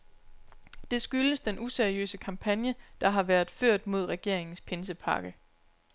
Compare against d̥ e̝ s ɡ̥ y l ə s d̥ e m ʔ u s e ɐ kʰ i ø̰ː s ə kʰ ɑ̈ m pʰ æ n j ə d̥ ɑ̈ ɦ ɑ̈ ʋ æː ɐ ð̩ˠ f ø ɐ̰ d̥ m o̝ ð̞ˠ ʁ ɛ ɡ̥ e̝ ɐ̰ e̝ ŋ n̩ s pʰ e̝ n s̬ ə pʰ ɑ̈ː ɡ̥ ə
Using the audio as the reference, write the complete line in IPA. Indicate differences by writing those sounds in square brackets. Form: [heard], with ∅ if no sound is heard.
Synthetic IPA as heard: d̥ e̝ s ɡ̥ y l ə s d̥ e [n] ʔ u s e ɐ [∅] i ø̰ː s ə kʰ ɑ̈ m pʰ æ n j ə d̥ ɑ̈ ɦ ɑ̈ ʋ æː ɐ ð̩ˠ f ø ɐ̰ d̥ m o̝ ð̞ˠ ʁ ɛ ɡ̥ e̝ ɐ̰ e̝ ŋ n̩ s pʰ e̝ n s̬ ə pʰ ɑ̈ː ɡ̥ ə